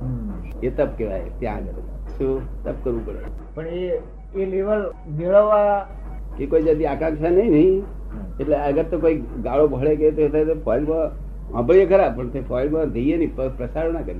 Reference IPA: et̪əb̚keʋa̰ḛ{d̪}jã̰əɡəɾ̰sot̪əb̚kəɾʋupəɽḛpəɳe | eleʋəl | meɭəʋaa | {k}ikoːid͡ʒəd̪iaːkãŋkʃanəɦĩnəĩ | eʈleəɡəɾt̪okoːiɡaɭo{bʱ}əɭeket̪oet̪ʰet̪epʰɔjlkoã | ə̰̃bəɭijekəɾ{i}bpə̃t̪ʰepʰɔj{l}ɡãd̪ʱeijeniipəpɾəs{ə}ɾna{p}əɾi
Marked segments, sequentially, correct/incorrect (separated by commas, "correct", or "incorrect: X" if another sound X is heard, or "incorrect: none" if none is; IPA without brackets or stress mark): incorrect: t̪, correct, correct, incorrect: a, correct, incorrect: a, incorrect: k